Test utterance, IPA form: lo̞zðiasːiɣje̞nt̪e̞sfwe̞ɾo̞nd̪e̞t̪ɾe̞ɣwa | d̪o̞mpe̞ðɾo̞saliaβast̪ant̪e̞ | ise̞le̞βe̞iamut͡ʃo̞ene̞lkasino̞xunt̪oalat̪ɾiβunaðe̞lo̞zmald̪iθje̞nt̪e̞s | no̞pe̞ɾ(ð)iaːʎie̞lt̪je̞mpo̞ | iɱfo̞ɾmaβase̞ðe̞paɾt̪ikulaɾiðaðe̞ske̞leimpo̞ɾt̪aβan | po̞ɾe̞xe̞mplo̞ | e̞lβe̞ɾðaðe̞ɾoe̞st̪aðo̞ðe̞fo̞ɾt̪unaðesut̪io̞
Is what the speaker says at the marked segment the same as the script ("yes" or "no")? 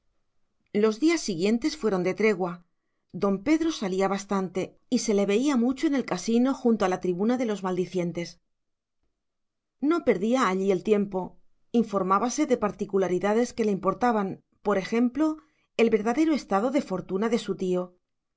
yes